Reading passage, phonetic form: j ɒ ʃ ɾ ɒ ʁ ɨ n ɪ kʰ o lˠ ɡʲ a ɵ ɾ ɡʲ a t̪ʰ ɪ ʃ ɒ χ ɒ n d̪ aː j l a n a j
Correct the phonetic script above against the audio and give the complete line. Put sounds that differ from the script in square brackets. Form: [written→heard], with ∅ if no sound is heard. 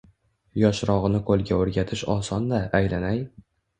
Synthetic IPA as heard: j ɒ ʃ ɾ ɒ ʁ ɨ n ɪ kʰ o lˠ ɡʲ a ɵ ɾ ɡʲ a t̪ʰ ɪ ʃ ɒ [χ→s] ɒ n d̪ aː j l a n a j